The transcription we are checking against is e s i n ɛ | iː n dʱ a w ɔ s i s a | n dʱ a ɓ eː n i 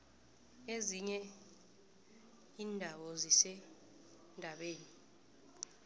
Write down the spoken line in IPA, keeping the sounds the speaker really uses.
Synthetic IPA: e z i ɲ ɛ | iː n dʱ a w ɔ z i s ɛ | n dʱ a ɓ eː n i